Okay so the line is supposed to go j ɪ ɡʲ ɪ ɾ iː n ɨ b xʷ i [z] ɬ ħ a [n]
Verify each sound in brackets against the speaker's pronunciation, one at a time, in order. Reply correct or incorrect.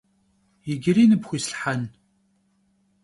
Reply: incorrect, correct

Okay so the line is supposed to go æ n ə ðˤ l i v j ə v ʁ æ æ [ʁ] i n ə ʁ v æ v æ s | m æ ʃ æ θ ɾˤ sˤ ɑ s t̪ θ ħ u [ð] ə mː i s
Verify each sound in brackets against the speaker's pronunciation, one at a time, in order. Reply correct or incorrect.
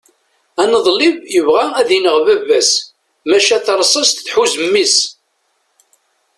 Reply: incorrect, incorrect

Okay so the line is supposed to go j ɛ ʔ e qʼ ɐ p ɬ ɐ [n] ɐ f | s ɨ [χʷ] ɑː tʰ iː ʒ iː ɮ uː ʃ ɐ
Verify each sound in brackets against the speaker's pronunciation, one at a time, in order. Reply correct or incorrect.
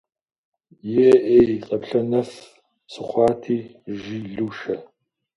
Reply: correct, correct

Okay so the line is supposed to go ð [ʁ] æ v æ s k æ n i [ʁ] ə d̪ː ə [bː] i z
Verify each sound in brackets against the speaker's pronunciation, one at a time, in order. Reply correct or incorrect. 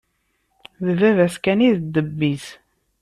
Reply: incorrect, incorrect, correct

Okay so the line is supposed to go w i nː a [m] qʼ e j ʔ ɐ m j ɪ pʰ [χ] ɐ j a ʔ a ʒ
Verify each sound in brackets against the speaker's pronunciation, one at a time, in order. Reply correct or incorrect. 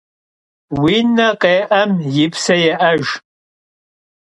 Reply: incorrect, incorrect

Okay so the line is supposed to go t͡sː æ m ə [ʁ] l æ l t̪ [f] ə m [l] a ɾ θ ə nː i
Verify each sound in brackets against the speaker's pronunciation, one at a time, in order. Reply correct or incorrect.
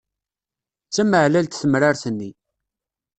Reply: incorrect, incorrect, incorrect

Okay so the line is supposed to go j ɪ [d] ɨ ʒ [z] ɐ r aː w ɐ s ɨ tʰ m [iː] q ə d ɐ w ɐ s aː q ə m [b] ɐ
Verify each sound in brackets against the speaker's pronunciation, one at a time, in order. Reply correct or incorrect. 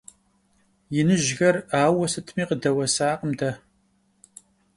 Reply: incorrect, incorrect, correct, incorrect

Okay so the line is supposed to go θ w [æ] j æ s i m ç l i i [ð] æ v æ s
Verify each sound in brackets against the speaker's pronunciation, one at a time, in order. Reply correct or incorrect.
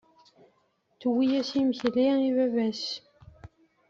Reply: incorrect, incorrect

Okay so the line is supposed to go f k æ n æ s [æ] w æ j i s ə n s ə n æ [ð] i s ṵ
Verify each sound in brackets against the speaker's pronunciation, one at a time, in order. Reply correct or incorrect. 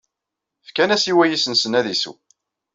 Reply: incorrect, correct

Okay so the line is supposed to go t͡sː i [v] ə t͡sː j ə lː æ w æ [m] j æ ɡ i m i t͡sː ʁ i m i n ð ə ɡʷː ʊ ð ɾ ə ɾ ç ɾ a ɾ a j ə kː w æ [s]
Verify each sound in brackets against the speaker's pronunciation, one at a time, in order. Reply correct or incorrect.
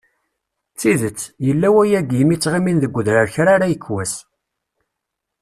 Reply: incorrect, incorrect, correct

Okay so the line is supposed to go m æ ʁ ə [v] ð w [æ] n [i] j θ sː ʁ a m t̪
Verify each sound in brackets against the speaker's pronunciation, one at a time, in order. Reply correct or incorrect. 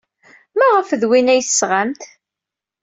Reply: incorrect, incorrect, incorrect

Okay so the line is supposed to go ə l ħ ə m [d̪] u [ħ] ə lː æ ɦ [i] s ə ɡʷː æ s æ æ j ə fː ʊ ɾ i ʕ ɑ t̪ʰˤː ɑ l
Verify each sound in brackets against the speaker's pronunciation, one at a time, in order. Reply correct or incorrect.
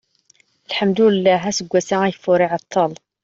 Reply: correct, incorrect, incorrect

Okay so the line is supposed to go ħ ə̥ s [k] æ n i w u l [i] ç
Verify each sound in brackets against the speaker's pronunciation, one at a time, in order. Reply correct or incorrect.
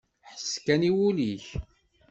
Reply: correct, correct

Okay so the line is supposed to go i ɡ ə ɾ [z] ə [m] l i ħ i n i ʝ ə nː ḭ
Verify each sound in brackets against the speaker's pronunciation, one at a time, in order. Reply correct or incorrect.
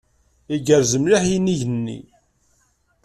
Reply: correct, correct

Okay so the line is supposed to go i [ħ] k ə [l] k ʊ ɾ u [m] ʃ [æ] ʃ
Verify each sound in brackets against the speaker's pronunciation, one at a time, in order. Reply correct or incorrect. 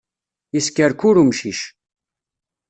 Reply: incorrect, incorrect, correct, incorrect

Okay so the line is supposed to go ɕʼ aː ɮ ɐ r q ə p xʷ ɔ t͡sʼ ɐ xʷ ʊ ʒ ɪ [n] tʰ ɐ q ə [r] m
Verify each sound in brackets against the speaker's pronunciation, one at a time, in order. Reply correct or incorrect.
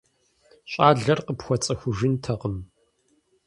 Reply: correct, incorrect

